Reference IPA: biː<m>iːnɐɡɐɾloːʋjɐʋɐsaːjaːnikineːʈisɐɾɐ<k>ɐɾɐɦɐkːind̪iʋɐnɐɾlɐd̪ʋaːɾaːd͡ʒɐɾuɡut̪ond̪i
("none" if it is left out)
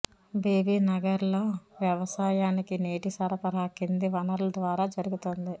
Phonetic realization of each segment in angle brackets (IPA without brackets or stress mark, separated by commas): b, p